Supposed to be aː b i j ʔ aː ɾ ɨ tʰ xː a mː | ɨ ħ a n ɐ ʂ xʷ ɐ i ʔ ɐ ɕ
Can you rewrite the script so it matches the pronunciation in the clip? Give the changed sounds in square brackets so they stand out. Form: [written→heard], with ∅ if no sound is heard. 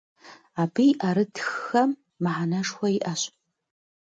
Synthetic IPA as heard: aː b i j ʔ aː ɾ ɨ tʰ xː [a→ɐ] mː | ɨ ħ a n ɐ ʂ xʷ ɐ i ʔ ɐ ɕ